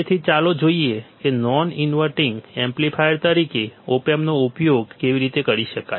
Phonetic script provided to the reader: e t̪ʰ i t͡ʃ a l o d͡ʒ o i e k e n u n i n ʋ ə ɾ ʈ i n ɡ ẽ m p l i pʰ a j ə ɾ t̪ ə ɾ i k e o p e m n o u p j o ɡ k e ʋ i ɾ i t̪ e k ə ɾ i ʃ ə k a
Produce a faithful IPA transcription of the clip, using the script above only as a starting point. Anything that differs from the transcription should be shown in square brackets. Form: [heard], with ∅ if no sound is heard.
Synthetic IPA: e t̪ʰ i t͡ʃ a l o d͡ʒ o i e k e n [ɔ] n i n ʋ ə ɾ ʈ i [ŋ] ɡ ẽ m p l i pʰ a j ə ɾ t̪ ə ɾ i k e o p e m n o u p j o ɡ k e ʋ i ɾ i t̪ e k ə ɾ i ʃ ə k a